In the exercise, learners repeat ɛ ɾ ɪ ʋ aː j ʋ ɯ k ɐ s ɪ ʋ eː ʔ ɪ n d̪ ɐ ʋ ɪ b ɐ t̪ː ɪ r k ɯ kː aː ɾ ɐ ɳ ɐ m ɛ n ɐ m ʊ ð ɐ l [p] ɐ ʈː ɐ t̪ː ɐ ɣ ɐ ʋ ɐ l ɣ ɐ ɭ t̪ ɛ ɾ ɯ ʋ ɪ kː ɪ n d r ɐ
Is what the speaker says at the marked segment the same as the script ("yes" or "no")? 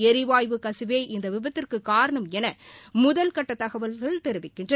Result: no